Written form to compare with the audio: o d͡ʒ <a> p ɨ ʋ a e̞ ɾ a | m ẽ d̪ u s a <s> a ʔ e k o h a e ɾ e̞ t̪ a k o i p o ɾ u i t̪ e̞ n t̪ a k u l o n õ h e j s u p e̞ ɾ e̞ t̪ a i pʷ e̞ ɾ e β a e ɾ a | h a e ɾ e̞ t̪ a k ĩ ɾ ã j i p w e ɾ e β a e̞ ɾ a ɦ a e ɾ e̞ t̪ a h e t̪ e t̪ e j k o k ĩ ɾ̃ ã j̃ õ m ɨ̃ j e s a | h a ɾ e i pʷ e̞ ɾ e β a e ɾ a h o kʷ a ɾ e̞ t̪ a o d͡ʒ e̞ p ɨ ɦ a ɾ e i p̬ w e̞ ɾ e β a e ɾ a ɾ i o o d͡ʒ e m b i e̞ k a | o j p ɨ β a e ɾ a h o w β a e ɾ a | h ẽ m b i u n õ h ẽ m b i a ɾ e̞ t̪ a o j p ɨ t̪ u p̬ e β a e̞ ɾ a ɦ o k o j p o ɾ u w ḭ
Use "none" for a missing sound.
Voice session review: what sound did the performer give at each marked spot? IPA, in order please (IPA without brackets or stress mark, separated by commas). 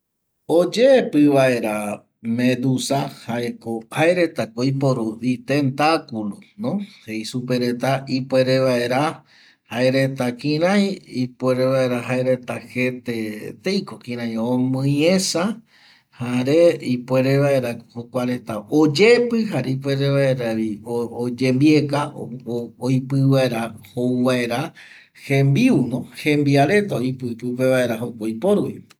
e, h